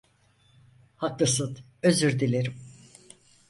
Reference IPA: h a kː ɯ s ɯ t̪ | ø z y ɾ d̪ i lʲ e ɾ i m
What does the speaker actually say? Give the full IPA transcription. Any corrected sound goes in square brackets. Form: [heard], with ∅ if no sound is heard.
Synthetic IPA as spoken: h a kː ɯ s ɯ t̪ | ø z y ɾ d̪ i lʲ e ɾ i m